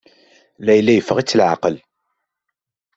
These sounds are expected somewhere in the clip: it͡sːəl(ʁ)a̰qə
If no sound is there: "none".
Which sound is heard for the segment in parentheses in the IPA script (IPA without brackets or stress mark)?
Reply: ʕ